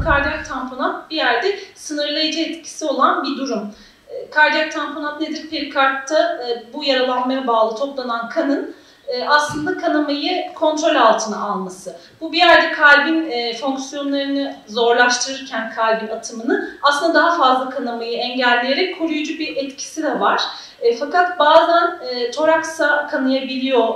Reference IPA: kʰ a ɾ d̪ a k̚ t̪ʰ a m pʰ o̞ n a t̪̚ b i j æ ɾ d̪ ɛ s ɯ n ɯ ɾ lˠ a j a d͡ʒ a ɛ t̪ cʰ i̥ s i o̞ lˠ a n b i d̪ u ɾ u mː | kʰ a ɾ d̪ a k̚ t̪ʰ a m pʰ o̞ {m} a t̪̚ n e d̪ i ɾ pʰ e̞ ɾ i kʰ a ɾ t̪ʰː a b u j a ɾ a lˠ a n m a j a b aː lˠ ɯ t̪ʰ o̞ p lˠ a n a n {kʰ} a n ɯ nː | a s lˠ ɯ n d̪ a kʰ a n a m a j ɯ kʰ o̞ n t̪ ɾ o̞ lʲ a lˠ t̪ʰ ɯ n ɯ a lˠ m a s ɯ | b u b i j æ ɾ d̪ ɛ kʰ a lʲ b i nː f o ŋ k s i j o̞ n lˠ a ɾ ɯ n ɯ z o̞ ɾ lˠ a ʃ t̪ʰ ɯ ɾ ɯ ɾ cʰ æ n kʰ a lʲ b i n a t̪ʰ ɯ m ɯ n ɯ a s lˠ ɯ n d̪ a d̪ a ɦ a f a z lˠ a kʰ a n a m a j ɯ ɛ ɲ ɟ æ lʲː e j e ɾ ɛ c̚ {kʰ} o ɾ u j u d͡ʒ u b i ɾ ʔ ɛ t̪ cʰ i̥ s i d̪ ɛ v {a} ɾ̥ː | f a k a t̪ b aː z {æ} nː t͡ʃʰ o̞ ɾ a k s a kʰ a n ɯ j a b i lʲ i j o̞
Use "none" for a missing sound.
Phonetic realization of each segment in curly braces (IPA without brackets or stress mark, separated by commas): n, kʰ, kʰ, a, æ